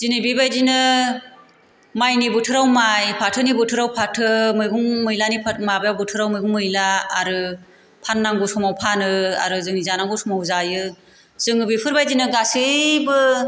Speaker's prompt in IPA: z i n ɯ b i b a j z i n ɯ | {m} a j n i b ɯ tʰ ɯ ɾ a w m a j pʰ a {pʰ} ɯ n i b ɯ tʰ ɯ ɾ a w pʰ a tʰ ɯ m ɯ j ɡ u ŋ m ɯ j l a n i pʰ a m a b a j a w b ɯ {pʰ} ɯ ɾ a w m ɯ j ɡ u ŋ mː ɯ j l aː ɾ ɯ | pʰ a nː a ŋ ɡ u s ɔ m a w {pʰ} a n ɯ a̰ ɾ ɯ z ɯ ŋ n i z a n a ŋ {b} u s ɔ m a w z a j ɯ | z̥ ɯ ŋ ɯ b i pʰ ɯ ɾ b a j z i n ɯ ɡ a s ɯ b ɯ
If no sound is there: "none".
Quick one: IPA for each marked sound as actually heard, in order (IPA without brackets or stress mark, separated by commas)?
m, tʰ, tʰ, pʰ, ɡ